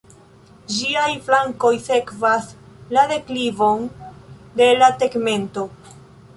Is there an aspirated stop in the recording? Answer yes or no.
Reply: no